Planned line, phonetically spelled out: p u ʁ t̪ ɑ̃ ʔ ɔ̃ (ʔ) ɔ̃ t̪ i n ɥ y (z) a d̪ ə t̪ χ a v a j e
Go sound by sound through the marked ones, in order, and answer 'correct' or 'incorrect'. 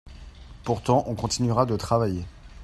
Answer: incorrect, incorrect

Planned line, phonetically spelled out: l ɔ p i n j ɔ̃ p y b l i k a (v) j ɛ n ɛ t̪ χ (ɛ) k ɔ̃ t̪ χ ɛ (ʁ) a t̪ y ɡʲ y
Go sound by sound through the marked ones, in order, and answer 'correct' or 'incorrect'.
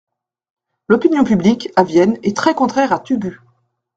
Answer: correct, correct, correct

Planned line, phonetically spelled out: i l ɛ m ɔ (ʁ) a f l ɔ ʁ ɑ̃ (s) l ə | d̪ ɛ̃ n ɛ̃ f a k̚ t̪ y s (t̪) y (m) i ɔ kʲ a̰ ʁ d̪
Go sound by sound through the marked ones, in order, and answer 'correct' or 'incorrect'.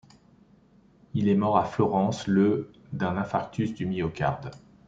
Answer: correct, correct, incorrect, correct

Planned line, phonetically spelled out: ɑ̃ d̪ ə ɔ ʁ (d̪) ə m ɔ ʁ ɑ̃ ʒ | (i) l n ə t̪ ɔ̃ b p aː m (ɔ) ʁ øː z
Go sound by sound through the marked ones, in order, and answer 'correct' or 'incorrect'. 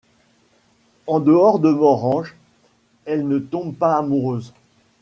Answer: correct, incorrect, incorrect

